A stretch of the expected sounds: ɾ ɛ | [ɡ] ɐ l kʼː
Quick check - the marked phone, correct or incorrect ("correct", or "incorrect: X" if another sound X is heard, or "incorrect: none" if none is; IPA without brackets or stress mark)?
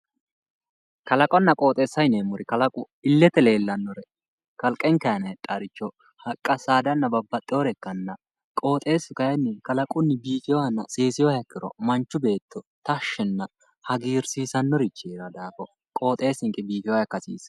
incorrect: k